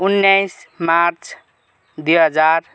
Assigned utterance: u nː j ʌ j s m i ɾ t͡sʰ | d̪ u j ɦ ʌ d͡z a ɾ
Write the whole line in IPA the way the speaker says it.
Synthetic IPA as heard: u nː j a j s m a ɾ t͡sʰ | d̪ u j ɦ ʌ d͡z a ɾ